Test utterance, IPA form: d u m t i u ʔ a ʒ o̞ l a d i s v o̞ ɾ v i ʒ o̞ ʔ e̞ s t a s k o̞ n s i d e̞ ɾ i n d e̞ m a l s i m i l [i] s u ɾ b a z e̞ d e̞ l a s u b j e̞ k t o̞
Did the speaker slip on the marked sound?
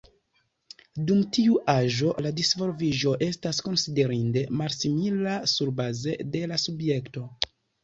yes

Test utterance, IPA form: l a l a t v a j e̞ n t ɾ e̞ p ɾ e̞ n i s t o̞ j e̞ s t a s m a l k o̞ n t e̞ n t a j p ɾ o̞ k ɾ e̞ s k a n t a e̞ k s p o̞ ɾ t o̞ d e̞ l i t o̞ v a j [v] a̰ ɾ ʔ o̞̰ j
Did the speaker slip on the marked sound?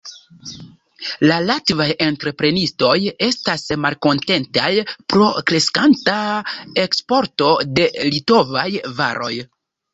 no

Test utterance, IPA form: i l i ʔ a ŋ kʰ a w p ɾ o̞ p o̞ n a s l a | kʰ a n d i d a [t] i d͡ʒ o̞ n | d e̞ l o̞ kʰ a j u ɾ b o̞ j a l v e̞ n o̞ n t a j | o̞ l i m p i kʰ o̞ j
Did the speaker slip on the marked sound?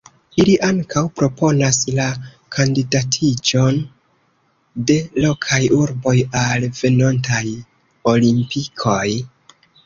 yes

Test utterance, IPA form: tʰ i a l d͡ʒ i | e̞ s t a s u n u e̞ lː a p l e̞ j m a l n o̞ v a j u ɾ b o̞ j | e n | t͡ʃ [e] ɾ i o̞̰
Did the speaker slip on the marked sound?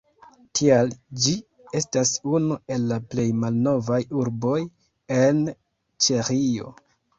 no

